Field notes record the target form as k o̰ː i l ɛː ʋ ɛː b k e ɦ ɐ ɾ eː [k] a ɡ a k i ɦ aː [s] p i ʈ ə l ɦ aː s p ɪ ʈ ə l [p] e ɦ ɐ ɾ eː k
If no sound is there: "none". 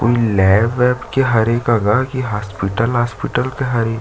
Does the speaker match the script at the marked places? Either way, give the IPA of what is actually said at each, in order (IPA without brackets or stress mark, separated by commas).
k, s, k